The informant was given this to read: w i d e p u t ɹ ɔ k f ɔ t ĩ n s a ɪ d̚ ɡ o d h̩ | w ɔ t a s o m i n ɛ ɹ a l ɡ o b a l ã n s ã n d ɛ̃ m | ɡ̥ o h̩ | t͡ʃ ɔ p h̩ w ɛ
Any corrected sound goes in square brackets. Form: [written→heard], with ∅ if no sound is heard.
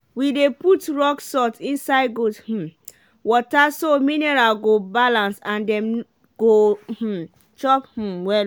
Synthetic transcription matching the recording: w i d e p u t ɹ ɔ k [f→s] ɔ t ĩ n s a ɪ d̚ ɡ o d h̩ | w ɔ t a s o m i n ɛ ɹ a l ɡ o b a l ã n s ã n d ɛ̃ m | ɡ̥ o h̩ | t͡ʃ ɔ p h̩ w ɛ